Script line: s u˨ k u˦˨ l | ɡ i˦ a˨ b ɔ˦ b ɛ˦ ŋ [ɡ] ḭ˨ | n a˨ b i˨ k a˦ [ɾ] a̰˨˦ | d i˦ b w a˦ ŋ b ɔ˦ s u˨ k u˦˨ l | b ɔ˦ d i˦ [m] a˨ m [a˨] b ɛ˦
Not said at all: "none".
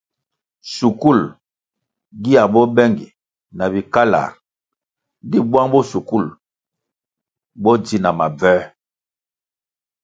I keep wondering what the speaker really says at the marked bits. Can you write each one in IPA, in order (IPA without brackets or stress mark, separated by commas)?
ɡ, l, n, a˨